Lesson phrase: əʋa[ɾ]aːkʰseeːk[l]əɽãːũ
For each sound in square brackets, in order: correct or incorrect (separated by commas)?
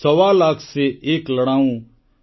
incorrect, correct